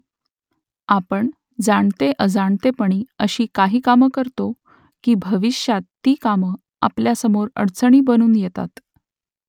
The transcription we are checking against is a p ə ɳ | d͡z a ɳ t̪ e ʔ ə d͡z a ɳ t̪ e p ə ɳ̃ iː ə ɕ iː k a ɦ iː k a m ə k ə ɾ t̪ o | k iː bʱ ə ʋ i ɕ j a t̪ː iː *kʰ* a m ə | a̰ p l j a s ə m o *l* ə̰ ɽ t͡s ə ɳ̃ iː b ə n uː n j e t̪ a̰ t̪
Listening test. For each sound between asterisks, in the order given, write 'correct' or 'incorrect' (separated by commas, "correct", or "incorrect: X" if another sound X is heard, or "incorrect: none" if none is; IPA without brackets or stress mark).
incorrect: k, incorrect: ɾ